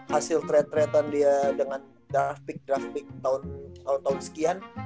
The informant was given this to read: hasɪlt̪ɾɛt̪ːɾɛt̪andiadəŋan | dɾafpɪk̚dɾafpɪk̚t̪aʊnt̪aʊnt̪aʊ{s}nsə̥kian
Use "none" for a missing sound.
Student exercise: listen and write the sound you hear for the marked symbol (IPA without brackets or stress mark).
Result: none